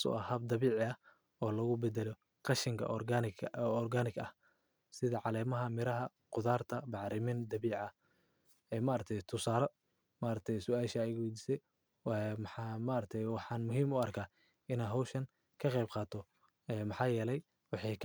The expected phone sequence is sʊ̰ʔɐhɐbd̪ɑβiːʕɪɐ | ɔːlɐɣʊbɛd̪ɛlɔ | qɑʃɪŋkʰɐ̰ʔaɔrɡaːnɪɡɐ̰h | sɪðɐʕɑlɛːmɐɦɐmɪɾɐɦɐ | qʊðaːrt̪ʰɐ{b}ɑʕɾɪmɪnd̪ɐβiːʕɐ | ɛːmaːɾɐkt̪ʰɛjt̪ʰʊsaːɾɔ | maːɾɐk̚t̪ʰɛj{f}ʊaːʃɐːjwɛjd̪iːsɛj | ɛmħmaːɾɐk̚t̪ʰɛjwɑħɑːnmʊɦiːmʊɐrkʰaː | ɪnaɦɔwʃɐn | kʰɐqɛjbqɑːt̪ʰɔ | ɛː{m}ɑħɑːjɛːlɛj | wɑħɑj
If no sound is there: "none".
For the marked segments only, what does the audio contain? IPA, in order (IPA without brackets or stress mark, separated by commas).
b, s, m